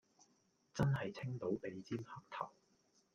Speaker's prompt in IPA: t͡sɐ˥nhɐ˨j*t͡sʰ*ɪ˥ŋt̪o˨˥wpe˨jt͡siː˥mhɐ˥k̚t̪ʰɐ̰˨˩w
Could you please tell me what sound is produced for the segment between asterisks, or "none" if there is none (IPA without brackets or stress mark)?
t͡sʰ